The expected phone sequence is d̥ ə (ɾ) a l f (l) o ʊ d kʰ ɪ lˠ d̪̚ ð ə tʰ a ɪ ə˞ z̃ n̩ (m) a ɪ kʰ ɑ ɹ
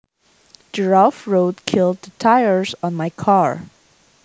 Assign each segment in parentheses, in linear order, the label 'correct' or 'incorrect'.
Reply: incorrect: ɹ, incorrect: ɹ, correct

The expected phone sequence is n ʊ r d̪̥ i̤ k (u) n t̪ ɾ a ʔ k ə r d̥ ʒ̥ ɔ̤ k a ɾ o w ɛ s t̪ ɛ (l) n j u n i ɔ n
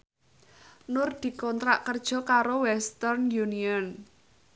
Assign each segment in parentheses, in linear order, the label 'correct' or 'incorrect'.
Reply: incorrect: ɔ, incorrect: r

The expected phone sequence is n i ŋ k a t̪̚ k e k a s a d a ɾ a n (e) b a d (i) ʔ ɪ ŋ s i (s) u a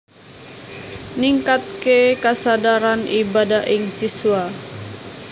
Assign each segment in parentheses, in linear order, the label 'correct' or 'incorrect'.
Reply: incorrect: i, incorrect: a, correct

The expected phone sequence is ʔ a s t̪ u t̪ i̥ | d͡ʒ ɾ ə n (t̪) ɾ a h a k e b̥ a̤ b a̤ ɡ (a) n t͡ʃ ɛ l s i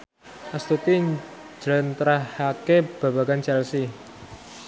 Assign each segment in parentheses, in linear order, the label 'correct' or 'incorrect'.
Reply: correct, correct

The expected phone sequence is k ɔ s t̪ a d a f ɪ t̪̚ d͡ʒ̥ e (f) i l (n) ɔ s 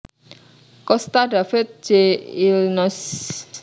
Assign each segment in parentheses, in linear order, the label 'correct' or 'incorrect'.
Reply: incorrect: none, correct

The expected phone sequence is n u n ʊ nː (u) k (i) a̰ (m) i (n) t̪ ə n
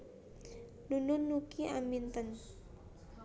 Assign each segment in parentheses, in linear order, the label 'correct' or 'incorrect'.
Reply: correct, correct, correct, correct

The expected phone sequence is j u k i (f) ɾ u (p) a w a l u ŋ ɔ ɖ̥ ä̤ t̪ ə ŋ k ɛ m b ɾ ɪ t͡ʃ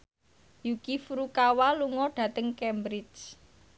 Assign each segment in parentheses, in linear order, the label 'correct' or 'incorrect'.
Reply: correct, incorrect: k

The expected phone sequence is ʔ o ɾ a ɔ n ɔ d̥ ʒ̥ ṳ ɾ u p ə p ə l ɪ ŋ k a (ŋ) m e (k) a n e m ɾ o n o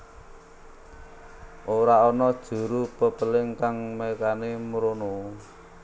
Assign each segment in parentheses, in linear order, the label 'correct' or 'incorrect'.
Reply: correct, correct

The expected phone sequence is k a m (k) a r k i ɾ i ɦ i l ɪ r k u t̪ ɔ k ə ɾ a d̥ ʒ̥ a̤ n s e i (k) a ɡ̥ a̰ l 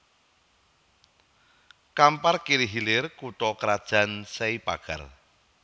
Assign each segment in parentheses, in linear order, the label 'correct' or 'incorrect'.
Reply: incorrect: p, incorrect: p

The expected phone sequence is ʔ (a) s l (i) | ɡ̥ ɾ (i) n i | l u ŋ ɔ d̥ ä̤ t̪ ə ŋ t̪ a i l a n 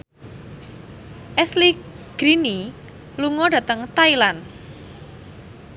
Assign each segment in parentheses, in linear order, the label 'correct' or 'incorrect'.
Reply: incorrect: ɛ, correct, correct

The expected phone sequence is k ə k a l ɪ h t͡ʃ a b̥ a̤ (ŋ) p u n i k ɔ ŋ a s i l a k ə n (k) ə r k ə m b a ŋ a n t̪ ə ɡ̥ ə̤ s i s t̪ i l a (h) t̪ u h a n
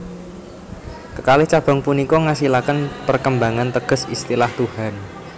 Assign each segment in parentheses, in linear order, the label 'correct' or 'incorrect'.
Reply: correct, incorrect: p, correct

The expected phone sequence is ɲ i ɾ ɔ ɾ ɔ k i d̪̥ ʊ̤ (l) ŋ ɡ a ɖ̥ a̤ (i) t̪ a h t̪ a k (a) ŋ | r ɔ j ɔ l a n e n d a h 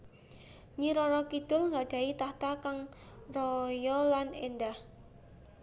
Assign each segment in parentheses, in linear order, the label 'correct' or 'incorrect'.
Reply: correct, correct, correct

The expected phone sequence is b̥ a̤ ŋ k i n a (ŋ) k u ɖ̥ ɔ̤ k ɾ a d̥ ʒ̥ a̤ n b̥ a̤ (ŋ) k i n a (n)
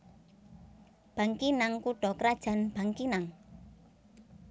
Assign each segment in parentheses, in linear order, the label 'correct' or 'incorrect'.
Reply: correct, correct, incorrect: ŋ

